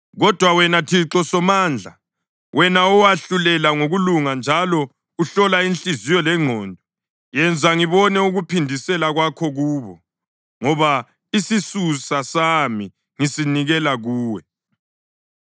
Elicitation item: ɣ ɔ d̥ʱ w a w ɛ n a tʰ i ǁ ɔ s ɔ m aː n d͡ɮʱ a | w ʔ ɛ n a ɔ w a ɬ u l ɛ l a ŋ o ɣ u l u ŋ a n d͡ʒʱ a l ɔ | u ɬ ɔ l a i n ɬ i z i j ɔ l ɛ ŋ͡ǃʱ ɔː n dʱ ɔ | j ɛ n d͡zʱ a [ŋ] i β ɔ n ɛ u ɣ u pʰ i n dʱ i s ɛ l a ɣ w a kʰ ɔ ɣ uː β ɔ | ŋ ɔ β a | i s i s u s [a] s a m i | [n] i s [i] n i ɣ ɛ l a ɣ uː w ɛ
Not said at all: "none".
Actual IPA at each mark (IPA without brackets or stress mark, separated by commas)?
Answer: ŋ, a, ŋ, i